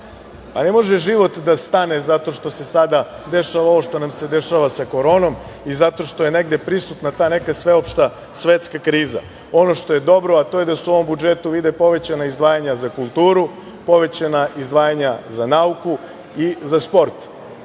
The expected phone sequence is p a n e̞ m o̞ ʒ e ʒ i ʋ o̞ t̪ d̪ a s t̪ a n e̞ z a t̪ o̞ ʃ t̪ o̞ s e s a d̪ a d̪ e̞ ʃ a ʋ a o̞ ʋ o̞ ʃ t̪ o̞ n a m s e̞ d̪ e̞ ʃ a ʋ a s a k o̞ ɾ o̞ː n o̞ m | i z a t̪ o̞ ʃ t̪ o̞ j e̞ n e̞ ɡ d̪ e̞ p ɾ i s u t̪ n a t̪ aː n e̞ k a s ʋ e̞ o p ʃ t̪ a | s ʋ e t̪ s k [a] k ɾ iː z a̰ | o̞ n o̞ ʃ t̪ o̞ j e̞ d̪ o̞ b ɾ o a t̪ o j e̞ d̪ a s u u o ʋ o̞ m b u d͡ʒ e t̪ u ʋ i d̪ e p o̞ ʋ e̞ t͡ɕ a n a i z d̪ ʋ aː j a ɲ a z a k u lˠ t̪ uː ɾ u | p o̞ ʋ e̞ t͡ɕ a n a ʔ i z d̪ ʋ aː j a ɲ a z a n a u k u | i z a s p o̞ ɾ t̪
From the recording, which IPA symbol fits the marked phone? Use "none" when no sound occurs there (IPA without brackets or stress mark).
a